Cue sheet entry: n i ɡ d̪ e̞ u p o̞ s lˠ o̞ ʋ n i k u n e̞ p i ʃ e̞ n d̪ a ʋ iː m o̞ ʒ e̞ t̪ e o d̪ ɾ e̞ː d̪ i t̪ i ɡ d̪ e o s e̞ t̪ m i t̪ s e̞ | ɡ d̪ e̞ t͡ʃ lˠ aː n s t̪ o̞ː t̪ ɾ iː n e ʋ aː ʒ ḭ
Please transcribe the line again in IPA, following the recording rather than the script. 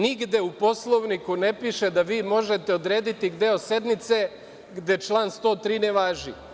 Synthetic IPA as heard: n i ɡ d̪ e̞ u p o̞ s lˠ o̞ ʋ n i k u n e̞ p i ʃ e̞ d̪ a ʋ iː m o̞ ʒ e̞ t̪ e o d̪ ɾ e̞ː d̪ i t̪ i ɡ d̪ e o s e̞ d̪ m i t̪ s e̞ | ɡ d̪ e̞ t͡ʃ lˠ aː n s t̪ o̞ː t̪ ɾ iː n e ʋ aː ʒ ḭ